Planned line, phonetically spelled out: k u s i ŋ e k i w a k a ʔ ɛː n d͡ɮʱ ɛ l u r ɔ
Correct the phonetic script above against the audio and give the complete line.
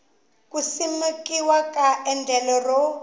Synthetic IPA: k u s i m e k i w a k a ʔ ɛ n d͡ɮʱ ɛ l ɔ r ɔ